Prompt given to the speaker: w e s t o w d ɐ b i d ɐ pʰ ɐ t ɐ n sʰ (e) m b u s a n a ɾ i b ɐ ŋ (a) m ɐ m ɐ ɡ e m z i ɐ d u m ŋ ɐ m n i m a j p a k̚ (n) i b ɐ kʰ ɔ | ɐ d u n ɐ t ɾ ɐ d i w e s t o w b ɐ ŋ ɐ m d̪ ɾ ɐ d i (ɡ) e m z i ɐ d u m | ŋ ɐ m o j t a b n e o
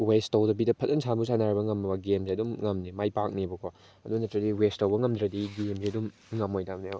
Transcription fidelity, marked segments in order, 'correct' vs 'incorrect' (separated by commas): incorrect, incorrect, correct, correct